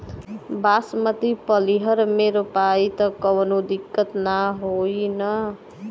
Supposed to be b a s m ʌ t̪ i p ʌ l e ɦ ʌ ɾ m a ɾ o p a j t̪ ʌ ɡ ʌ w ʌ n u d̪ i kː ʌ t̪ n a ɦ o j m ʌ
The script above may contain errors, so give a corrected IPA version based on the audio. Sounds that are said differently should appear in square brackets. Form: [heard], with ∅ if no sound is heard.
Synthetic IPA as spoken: b a s m ʌ t̪ i p ʌ l [i] ɦ ʌ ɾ m [e] ɾ o p a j t̪ ʌ [k] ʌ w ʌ n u d̪ i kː ʌ t̪ n a ɦ o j [n] ʌ